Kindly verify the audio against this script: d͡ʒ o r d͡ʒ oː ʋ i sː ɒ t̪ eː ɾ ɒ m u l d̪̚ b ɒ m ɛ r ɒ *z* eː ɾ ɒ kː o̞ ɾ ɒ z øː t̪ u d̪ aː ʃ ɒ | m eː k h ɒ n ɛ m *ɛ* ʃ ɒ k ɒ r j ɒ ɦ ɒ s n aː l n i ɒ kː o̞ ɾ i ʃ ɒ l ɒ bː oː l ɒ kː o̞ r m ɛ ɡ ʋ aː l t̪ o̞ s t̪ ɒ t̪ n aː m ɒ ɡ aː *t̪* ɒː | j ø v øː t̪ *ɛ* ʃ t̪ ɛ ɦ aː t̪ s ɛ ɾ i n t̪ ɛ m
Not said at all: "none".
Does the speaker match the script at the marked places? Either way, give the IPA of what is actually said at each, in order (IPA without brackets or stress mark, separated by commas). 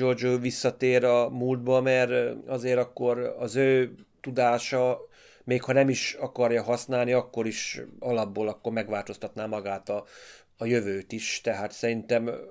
z, i, t̪, i